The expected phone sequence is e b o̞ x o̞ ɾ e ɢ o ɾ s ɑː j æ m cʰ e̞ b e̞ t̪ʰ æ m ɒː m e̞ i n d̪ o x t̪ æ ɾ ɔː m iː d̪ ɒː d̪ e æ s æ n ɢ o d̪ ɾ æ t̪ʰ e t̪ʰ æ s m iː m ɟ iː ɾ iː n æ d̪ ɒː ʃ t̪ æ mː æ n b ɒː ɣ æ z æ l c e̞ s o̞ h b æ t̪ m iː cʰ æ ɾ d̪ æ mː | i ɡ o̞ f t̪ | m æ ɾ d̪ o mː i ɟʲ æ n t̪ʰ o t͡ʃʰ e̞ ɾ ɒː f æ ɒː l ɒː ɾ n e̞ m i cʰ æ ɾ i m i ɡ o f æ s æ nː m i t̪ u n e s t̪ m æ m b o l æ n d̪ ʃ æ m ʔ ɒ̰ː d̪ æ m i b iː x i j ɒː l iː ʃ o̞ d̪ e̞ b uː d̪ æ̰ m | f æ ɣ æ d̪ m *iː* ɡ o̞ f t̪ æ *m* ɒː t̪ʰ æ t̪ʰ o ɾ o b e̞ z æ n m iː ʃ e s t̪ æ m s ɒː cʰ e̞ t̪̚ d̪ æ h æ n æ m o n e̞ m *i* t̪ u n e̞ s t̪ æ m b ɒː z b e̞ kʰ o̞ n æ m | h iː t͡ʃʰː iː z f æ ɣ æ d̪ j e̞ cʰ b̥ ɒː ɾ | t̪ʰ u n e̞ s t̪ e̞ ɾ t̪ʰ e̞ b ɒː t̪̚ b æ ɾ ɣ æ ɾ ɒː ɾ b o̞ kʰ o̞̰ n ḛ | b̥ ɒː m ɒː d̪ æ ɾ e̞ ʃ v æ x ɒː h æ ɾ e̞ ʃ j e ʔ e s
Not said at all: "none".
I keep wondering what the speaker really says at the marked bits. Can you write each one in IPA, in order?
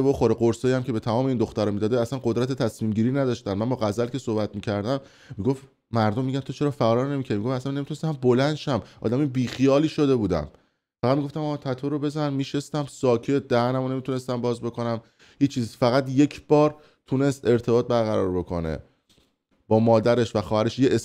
i, m, i

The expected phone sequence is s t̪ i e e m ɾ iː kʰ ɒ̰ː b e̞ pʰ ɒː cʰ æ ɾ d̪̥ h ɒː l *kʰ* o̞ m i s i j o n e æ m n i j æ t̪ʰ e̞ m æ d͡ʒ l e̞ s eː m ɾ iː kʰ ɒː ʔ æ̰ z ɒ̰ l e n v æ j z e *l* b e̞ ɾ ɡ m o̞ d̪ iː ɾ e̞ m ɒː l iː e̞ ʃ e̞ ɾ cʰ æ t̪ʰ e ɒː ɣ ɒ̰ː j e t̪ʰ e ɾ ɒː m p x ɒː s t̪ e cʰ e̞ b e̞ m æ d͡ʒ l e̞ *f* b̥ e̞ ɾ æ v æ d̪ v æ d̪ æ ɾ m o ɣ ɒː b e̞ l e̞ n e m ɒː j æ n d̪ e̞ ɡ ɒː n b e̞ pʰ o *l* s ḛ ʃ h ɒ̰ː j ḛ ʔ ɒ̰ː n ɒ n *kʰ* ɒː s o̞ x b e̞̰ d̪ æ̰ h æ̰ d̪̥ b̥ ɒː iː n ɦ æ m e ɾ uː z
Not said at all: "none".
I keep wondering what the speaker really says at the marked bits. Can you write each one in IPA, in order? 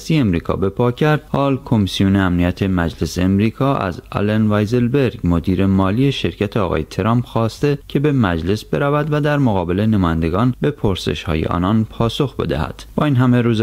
kʰ, l, s, ɾ, pʰ

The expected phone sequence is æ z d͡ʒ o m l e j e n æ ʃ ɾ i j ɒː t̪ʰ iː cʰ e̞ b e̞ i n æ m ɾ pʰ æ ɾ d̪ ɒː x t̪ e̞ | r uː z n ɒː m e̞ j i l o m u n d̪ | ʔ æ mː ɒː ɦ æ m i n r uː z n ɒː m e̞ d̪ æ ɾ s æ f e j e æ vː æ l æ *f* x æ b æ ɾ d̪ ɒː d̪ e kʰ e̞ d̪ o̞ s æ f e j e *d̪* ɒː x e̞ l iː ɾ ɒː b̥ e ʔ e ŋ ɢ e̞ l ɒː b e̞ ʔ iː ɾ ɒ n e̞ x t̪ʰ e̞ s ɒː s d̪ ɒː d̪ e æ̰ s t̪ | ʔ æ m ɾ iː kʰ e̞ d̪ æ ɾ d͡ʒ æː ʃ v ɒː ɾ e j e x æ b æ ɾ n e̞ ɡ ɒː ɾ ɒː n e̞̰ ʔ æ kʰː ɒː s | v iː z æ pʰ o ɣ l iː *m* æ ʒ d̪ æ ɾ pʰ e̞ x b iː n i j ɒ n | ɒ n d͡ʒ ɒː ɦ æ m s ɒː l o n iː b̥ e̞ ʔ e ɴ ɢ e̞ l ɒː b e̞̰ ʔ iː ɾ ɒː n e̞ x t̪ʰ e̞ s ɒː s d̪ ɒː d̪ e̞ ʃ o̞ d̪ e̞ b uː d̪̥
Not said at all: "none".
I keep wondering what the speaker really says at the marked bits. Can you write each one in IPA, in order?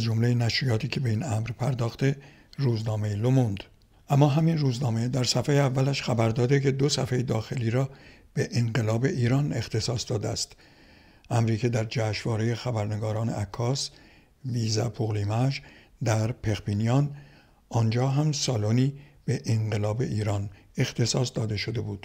ʃ, d̪, m

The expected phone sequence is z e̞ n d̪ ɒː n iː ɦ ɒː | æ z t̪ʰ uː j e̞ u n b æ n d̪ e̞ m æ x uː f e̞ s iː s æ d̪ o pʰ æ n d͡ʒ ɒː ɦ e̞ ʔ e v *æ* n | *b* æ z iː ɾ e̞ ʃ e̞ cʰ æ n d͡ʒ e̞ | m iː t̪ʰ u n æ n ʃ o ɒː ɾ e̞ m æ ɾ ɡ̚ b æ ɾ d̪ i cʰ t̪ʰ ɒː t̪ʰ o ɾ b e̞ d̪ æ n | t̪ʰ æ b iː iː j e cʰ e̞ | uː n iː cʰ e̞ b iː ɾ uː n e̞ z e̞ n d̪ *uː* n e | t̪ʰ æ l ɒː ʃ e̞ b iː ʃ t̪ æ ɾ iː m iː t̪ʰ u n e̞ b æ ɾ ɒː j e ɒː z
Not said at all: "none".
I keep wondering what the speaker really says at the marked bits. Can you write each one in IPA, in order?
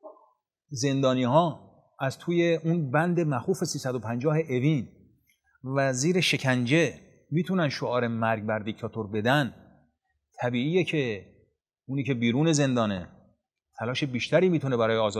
i, v, ɒː

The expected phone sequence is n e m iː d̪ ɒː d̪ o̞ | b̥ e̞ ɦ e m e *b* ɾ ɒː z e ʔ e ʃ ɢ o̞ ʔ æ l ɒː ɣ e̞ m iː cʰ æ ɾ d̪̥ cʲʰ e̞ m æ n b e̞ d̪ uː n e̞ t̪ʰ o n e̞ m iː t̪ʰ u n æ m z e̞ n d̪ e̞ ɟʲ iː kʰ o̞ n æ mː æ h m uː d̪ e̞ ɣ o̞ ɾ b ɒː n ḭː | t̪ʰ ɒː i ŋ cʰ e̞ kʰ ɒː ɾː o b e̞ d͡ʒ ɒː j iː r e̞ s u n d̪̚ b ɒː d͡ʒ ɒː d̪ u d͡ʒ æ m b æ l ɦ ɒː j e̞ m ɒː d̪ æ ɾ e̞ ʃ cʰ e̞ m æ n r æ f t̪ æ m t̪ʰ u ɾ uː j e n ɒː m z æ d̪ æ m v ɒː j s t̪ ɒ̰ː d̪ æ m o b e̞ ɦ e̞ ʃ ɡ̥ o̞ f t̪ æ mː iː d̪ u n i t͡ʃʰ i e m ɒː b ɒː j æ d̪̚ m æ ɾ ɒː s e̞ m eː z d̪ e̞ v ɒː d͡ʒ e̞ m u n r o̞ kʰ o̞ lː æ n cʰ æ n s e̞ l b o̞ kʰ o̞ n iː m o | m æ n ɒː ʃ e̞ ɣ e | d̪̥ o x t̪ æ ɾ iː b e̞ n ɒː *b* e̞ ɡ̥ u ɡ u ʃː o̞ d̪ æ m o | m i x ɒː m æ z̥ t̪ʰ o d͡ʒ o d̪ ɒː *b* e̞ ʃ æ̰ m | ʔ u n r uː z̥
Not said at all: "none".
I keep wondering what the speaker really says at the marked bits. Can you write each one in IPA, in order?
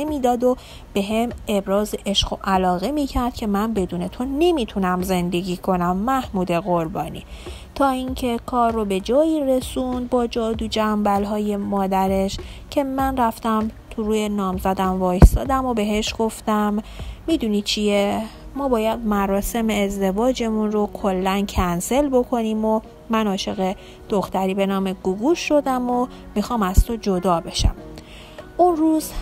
b, m, b

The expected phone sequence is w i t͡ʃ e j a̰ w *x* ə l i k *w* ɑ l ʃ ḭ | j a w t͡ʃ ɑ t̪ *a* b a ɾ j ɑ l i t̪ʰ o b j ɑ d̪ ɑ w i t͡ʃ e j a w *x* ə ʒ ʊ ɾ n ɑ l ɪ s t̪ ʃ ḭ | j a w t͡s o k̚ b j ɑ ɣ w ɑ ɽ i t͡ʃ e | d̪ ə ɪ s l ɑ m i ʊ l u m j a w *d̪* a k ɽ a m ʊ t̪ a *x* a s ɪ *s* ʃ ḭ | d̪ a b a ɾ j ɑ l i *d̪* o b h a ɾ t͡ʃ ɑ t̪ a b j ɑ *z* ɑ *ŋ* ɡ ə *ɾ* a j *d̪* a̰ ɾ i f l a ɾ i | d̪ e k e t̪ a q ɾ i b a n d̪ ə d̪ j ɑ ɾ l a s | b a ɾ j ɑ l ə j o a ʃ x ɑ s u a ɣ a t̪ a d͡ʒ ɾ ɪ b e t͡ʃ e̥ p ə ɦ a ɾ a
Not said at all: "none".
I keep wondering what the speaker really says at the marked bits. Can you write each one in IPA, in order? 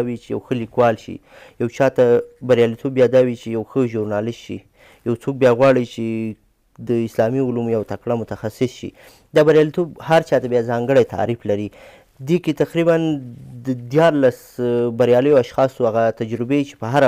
x, w, a, x, t̪, x, s, t̪, z, ŋ, ɽ, t̪

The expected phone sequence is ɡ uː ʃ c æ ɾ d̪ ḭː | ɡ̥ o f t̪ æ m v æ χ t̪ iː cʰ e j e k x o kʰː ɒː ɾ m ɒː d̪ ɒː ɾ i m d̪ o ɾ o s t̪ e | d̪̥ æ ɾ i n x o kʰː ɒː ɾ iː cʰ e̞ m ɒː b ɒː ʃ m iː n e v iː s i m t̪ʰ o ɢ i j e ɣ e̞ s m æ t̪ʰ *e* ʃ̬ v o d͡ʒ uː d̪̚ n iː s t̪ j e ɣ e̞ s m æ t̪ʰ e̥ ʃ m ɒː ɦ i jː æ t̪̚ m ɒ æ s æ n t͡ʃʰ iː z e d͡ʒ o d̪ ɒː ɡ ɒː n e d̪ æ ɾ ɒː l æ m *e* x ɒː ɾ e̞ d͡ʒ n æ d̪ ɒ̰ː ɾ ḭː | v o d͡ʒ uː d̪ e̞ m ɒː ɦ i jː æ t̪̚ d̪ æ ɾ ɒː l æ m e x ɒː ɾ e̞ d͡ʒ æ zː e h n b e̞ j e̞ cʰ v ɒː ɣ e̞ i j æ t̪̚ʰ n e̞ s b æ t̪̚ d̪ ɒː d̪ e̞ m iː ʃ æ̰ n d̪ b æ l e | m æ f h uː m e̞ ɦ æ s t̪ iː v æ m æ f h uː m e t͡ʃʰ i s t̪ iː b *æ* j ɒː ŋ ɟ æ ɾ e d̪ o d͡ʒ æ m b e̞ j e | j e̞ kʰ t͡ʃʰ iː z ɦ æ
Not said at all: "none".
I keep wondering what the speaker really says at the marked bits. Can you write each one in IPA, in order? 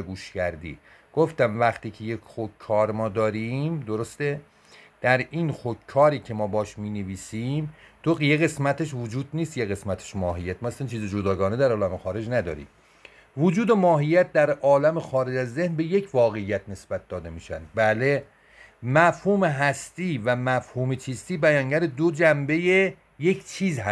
e, e, æ

